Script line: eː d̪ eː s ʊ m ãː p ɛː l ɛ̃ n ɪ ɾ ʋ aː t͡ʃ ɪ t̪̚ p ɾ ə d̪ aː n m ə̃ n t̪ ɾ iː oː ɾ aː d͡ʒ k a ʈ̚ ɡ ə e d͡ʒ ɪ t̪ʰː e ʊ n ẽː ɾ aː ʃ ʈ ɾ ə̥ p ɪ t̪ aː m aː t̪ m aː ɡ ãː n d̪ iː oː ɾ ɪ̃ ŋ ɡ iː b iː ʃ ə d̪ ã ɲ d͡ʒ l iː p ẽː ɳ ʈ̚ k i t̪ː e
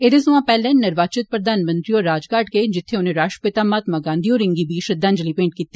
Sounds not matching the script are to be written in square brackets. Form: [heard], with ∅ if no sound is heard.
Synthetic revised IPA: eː d̪ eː s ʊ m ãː p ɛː l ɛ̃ n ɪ ɾ ʋ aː t͡ʃ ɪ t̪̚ p ɾ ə d̪ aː n m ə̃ n t̪ ɾ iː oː ɾ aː d͡ʒ k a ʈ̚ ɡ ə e d͡ʒ ɪ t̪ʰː e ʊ n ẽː ɾ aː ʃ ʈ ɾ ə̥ p ɪ t̪ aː m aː t̪ m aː ɡ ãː n d̪ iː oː ɾ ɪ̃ ŋ ɡ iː b iː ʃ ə d̪ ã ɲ d͡ʒ l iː p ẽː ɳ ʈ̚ k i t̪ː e